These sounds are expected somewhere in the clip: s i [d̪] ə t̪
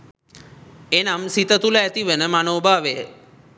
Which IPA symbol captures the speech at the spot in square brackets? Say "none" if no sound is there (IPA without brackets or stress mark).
t̪